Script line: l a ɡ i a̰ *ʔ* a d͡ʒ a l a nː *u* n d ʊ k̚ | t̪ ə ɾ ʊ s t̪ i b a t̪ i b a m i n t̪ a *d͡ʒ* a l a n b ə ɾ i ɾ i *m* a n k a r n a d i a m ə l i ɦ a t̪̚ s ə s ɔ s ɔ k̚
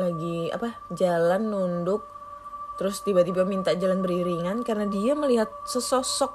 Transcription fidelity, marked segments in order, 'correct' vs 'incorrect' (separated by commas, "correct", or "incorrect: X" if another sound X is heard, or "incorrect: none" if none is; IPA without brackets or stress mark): incorrect: p, correct, correct, incorrect: ŋ